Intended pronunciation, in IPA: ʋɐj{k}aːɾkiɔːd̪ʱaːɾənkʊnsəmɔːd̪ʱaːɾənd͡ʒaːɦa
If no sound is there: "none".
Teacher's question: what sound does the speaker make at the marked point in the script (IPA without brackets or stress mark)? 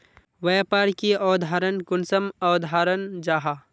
p